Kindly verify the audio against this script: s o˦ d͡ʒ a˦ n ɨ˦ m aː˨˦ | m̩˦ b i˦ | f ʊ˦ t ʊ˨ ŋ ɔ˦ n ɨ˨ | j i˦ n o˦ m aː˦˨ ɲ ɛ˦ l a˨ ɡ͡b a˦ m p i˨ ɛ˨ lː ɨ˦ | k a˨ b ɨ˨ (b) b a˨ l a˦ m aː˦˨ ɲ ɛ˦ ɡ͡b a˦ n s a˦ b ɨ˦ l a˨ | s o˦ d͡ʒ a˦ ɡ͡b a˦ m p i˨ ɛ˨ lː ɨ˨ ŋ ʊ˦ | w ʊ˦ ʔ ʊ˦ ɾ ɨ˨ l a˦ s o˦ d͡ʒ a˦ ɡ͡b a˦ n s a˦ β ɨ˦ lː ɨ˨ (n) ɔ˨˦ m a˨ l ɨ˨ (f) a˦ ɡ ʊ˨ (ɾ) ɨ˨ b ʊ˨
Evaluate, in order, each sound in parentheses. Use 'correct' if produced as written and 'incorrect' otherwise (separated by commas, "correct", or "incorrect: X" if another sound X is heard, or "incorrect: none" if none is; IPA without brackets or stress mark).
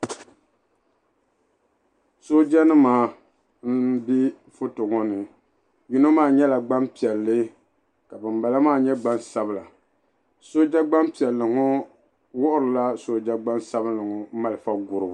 incorrect: m, incorrect: ŋ, correct, correct